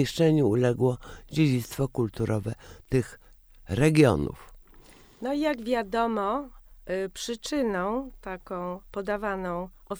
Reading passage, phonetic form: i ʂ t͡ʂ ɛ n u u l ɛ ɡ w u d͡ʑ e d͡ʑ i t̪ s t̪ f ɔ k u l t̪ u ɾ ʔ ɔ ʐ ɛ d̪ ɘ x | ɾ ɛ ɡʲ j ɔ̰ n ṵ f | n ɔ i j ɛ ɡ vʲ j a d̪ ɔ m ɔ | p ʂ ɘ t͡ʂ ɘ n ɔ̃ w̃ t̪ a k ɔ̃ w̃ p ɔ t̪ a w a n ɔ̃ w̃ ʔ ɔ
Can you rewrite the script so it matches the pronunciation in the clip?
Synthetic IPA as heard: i ʂ t͡ʂ ɛ ɲ u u l ɛ ɡ w ɔ d͡ʑ e d͡ʑ i t̪ s t̪ f ɔ k u l t̪ u ɾ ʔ ɔ v ɛ t̪ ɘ x | ɾ ɛ ɡʲ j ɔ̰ n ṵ f | n ɔ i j a ɡ vʲ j a d̪ ɔ m ɔ | p ʂ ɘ t͡ʂ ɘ n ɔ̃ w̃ t̪ a k ɔ̃ w̃ p ɔ d̪ a v a n ɔ̃ w̃ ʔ ɔ